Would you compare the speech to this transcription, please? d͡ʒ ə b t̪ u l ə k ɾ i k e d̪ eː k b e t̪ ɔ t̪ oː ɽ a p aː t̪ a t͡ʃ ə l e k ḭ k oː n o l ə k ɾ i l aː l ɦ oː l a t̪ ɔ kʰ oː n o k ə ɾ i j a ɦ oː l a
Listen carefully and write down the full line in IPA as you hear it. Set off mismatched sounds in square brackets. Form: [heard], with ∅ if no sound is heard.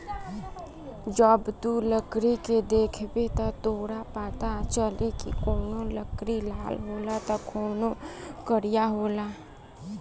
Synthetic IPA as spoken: d͡ʒ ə b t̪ u l ə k ɾ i k e d̪ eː [kʰ] b e t̪ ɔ t̪ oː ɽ a p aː t̪ a t͡ʃ ə l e k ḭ k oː n o l ə k ɾ i l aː l ɦ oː l a t̪ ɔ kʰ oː n o k ə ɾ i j a ɦ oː l a